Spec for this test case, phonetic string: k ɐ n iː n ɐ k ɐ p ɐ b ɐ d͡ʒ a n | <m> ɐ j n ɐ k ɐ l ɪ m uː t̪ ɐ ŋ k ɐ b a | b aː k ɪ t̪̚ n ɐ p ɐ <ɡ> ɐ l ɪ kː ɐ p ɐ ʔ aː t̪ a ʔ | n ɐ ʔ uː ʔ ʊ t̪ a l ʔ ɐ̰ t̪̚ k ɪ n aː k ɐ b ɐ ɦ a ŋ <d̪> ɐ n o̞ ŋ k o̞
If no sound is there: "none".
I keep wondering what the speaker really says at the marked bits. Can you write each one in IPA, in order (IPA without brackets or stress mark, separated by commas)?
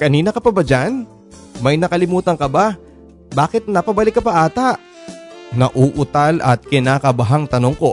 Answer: m, b, t̪